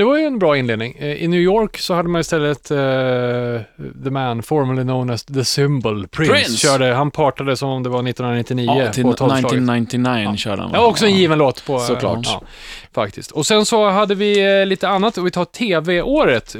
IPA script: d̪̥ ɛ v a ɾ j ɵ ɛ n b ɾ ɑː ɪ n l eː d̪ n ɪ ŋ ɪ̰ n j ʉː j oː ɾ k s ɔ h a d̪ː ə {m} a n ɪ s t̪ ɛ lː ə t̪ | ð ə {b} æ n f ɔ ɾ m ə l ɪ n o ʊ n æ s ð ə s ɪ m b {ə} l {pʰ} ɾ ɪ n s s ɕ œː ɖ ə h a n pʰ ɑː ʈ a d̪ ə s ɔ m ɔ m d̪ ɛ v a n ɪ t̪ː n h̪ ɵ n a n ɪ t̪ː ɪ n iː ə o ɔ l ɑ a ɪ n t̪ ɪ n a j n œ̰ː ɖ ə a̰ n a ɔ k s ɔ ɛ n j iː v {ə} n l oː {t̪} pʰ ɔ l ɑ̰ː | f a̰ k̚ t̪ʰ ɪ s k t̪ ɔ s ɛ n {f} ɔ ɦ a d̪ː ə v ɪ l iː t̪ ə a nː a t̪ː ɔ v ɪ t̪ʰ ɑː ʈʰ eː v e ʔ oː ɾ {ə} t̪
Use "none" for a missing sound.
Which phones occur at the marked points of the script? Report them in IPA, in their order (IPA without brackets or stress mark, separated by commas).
m, m, ə, pʰ, ə, t̪, s, ə